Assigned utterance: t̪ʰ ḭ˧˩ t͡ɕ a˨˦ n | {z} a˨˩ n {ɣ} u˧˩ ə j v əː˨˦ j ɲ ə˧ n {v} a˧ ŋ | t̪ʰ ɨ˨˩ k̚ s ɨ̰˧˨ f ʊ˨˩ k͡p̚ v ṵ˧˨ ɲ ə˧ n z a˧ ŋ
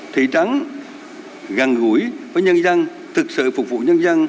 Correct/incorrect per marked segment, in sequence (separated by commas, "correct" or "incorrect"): incorrect, correct, incorrect